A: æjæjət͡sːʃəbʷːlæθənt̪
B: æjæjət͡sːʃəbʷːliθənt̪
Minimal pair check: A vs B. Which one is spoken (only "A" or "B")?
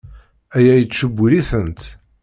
B